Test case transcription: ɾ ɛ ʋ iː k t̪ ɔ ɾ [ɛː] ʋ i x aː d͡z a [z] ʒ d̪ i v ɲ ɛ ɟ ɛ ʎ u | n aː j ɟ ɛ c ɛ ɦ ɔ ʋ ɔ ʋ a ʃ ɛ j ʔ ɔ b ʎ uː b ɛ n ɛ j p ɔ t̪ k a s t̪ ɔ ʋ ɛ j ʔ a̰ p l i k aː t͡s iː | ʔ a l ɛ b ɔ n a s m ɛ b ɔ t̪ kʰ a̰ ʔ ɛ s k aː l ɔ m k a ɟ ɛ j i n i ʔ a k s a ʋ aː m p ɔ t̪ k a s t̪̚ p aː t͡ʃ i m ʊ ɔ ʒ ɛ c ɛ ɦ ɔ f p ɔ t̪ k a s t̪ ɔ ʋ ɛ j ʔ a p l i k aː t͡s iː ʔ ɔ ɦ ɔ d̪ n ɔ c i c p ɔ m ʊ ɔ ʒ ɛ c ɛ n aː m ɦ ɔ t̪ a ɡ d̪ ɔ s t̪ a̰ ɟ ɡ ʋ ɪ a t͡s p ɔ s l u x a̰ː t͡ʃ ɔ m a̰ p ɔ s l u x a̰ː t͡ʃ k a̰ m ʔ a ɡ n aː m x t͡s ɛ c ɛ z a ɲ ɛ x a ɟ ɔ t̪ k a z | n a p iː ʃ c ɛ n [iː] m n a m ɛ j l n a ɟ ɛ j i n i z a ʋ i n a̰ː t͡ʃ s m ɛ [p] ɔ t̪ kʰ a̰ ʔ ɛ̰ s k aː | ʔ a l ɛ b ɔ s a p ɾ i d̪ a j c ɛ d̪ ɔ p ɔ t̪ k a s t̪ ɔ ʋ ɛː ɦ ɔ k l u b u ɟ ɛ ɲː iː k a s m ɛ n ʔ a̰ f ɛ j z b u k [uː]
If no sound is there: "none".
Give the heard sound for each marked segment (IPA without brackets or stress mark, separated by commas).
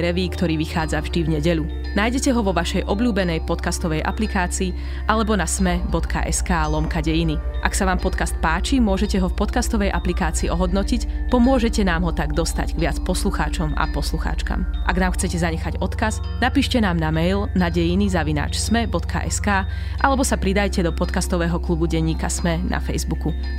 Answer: iː, v, aː, b, u